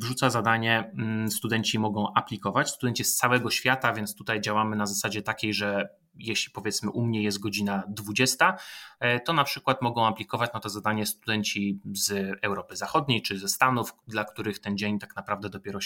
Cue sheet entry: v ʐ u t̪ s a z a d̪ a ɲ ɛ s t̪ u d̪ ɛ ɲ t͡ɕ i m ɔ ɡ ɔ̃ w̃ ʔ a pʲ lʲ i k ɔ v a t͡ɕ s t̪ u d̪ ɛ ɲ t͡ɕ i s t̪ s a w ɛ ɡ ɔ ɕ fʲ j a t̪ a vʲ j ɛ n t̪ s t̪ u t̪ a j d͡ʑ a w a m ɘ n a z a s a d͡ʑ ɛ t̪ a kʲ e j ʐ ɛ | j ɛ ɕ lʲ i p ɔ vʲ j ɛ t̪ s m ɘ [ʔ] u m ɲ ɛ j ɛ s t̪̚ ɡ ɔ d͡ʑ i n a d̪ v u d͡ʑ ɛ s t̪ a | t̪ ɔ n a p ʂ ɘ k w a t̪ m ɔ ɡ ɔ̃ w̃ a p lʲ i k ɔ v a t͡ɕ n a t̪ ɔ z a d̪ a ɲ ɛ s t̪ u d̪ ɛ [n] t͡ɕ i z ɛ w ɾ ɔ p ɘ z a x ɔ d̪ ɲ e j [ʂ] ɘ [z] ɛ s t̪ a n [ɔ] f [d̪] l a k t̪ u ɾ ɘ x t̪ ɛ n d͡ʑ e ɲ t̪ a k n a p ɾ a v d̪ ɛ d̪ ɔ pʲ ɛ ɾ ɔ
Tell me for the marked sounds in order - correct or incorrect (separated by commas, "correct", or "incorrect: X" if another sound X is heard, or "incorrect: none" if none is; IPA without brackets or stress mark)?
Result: correct, incorrect: ɲ, incorrect: t͡ʂ, correct, incorrect: u, correct